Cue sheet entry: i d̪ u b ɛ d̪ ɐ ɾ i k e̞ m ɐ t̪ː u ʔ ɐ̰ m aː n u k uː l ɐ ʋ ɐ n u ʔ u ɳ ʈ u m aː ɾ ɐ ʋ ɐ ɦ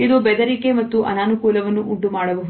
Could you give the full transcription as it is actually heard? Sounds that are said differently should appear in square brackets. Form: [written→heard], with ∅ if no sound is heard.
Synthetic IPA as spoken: i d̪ u b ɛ d̪ ɐ ɾ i k e̞ m ɐ t̪ː u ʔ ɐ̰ [m→n] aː n u k uː l ɐ ʋ ɐ [n→nː] u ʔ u ɳ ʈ u m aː [ɾ→ɽ] ɐ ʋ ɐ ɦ